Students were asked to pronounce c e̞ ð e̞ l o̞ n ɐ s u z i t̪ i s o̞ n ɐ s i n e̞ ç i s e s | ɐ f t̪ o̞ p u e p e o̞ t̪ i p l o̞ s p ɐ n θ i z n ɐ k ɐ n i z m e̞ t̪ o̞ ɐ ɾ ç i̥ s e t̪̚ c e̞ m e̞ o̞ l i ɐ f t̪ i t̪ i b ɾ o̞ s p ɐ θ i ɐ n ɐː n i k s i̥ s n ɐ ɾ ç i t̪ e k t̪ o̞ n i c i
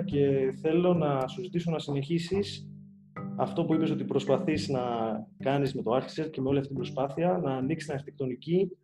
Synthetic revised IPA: c e̞ θ e̞ l o̞ n ɐ s u z i t̪ i s o̞ n ɐ s i n e̞ ç i s i s | ɐ f t̪ o̞ p u i p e o̞ t̪ i p ɾ o̞ s p ɐ θ i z n ɐ k ɐ n i z m e̞ t̪ o̞ ɐ ɾ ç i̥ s e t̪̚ c e̞ m e̞ o̞ l i ɐ f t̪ i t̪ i b ɾ o̞ s p ɐ θ i ɐ n ɐː n i k s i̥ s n ɐ ɾ ç i t̪ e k t̪ o̞ n i c i